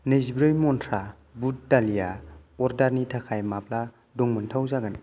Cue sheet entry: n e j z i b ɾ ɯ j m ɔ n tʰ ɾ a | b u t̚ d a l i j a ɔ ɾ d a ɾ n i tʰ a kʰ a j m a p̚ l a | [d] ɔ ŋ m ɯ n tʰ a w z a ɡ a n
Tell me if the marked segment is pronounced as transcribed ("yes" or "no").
yes